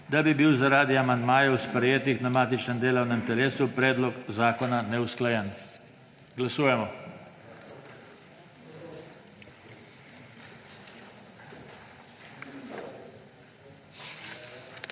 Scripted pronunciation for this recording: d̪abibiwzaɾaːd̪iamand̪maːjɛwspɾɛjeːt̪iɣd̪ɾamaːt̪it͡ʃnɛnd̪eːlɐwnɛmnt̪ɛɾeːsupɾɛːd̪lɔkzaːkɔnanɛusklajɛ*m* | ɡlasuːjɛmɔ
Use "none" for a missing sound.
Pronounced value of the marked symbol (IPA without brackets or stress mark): n